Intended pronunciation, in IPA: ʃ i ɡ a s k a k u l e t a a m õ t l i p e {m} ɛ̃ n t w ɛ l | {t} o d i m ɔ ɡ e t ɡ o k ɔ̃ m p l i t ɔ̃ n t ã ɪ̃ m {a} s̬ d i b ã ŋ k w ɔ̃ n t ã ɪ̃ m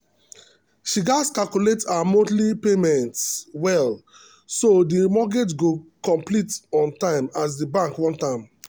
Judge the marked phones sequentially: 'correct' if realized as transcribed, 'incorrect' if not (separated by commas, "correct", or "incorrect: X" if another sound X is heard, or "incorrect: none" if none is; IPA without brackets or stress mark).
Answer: correct, incorrect: s, correct